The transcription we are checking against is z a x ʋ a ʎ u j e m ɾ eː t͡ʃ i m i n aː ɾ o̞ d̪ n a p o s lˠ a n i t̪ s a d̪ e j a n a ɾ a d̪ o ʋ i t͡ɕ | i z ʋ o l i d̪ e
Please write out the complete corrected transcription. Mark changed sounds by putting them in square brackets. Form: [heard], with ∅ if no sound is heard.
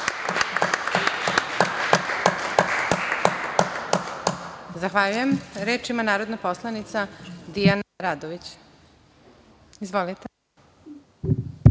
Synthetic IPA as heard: z a x ʋ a ʎ u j e m ɾ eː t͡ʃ i m [a] n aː ɾ o̞ d̪ n a p o s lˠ a n i t̪ s a d̪ [i] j a n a ɾ a d̪ o ʋ i t͡ɕ | i z ʋ o l i [t̪] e